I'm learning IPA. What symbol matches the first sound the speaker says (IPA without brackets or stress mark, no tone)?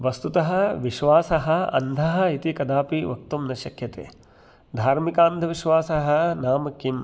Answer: ʋ